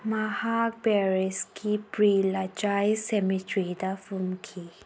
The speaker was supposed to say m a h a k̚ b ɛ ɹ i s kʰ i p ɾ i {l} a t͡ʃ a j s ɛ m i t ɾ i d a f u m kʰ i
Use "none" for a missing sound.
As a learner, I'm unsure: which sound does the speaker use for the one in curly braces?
l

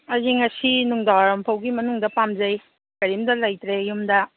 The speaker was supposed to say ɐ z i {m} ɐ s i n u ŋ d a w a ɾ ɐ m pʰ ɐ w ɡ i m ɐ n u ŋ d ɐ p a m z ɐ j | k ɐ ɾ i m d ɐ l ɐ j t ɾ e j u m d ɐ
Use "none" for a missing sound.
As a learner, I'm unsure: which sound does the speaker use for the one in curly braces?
ŋ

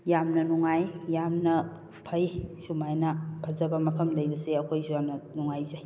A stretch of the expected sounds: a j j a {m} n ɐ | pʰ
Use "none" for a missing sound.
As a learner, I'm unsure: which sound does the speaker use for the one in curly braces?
m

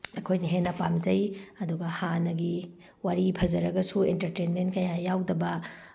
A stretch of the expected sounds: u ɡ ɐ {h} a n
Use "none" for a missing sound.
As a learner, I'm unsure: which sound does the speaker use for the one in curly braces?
h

